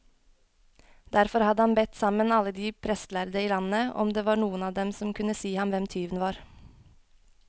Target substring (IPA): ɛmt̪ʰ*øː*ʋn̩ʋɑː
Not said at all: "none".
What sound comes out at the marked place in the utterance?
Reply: yː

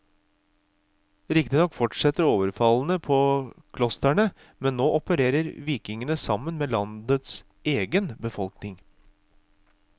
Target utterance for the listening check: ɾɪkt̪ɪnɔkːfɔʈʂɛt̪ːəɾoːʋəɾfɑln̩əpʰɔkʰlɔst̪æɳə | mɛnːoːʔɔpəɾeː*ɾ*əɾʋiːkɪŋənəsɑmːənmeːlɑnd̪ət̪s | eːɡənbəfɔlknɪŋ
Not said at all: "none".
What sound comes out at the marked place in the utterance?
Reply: ɾ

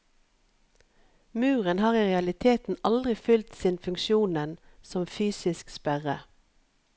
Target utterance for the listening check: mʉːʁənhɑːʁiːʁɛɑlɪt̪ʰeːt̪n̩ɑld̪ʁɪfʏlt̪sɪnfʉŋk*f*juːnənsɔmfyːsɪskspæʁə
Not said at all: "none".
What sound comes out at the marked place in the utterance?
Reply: ʃ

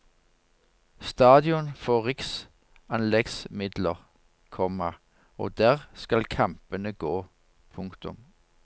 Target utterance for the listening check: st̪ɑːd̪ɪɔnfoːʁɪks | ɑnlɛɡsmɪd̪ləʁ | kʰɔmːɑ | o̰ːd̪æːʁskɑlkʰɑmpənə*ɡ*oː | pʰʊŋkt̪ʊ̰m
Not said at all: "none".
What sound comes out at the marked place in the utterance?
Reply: ɡ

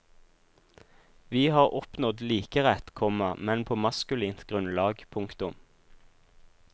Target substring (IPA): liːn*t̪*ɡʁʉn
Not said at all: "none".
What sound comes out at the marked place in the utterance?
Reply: t̪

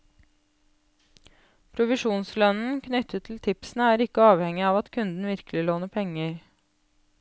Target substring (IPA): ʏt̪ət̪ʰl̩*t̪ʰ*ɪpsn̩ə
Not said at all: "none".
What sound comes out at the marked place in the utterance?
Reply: t̪ʰ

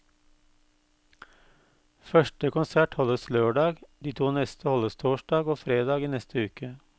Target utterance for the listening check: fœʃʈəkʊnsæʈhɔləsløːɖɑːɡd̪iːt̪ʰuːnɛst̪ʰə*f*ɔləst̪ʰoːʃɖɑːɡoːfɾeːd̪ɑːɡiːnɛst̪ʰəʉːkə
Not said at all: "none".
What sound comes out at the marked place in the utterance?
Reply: h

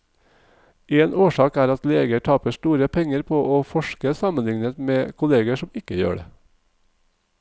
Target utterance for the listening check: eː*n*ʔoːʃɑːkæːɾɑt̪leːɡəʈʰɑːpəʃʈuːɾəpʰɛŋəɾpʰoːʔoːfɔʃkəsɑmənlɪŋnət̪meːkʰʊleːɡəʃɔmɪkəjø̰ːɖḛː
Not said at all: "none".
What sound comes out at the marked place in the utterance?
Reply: n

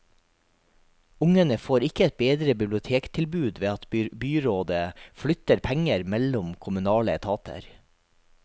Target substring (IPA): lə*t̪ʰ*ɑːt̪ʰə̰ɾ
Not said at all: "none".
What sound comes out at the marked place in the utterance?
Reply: t̪ʰ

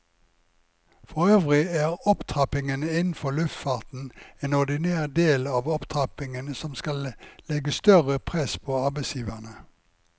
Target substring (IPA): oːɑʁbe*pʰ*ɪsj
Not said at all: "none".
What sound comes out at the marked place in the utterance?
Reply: none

